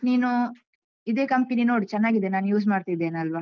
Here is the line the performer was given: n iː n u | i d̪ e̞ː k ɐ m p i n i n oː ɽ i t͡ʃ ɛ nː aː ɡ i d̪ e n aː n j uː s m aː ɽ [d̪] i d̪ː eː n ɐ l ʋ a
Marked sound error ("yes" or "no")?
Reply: yes